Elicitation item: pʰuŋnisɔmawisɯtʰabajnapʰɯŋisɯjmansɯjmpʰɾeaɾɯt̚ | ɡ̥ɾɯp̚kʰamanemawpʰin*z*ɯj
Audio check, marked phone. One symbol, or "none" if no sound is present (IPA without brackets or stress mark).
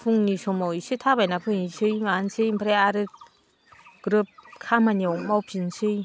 s